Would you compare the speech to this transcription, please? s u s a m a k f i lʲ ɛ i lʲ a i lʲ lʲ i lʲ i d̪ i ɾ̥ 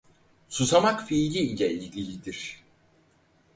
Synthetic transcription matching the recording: s u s a m a k f i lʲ i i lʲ ɛ i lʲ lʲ i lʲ i d̪ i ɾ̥